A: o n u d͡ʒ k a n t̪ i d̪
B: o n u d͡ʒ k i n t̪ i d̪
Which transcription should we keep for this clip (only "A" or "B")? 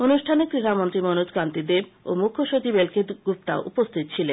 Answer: A